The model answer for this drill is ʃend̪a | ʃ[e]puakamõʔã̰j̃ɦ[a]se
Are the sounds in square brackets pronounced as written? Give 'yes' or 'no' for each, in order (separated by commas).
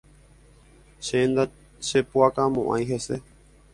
yes, no